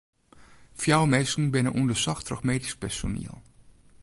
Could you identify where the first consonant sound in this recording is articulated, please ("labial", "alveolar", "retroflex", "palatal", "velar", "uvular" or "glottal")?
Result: labial